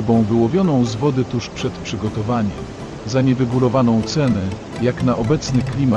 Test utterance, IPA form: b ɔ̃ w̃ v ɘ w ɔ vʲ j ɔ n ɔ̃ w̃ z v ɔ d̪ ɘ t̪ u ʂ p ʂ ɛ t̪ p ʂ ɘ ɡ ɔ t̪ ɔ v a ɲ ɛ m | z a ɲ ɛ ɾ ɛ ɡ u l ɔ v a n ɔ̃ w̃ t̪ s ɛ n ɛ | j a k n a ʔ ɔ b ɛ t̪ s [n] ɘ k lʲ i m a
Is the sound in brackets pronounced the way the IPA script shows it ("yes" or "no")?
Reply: yes